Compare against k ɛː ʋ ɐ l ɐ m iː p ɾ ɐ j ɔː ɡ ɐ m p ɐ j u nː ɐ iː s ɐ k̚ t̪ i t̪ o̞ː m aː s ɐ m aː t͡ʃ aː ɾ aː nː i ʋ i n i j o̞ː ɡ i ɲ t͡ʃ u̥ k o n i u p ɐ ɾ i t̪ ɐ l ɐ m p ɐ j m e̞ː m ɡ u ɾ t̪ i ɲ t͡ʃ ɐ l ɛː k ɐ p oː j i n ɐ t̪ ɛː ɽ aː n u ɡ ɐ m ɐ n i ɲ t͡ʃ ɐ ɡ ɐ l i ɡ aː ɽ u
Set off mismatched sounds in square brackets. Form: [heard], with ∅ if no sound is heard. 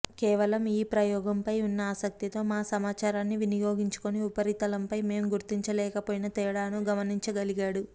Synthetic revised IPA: k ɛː ʋ ɐ l ɐ m iː p ɾ ɐ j ɔː ɡ ɐ m p ɐ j u nː ɐ [aː] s ɐ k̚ t̪ i t̪ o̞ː m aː s ɐ m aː t͡ʃ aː ɾ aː nː i ʋ i n i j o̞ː ɡ i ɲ t͡ʃ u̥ k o n i u p ɐ ɾ i t̪ ɐ l ɐ m p ɐ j m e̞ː m ɡ u ɾ t̪ i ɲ t͡ʃ ɐ l ɛː k ɐ p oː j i n ɐ t̪ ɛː ɽ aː n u ɡ ɐ m ɐ n i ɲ t͡ʃ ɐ ɡ ɐ l i ɡ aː ɽ u